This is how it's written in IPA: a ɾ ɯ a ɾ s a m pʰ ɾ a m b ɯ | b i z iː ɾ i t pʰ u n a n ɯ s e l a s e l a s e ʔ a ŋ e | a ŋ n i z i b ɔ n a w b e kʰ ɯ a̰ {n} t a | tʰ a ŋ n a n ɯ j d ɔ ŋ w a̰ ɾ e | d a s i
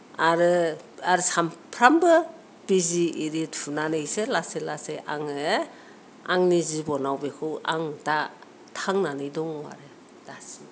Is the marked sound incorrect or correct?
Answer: incorrect